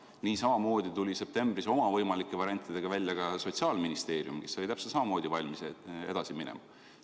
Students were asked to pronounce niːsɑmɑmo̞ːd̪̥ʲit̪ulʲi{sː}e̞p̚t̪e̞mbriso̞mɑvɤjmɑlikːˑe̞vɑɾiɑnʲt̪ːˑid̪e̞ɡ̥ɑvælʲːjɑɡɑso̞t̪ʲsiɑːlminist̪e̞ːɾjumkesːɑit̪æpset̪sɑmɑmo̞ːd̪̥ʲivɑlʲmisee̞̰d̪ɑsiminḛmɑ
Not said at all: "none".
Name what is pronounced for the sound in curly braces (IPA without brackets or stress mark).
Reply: s